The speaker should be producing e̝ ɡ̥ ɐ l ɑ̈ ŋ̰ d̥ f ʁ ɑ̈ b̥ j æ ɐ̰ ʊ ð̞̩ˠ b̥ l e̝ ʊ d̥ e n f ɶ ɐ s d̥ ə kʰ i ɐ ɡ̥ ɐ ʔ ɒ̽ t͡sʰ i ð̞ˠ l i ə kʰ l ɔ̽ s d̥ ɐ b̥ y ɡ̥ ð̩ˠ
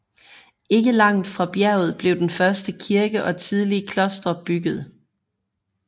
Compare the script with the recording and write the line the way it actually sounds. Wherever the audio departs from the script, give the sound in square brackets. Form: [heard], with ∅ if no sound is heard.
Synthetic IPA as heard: e̝ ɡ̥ [ə] l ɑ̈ ŋ̰ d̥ f ʁ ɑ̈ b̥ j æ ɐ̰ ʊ ð̞̩ˠ b̥ l e̝ ʊ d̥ e n f ɶ ɐ s d̥ ə kʰ i ɐ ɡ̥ [ə] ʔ ɒ̽ t͡sʰ i ð̞ˠ l i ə kʰ l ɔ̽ s d̥ ɐ b̥ y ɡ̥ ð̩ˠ